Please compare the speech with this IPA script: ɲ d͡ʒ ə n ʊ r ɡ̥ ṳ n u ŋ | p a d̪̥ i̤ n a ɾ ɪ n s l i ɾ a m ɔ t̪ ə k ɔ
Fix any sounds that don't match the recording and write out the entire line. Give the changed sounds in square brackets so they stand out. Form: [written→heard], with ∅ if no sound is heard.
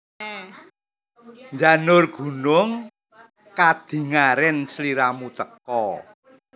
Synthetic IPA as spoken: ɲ d͡ʒ [ə→a] n ʊ r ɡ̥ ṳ n [u→ʊ] ŋ | [p→k] a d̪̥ i̤ [n→ŋ] a ɾ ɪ n s l i ɾ a m [ɔ→u] t̪ ə k ɔ